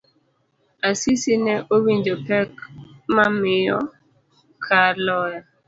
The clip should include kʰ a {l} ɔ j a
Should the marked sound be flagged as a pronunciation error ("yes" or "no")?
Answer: no